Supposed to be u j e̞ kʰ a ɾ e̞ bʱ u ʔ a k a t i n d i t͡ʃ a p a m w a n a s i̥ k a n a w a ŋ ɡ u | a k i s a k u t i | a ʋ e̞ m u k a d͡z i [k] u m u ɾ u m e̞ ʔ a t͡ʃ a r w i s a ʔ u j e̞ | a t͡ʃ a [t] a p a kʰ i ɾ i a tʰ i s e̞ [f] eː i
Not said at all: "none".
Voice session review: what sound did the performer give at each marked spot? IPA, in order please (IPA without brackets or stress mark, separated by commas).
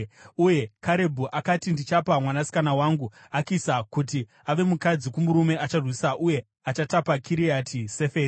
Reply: k, t, f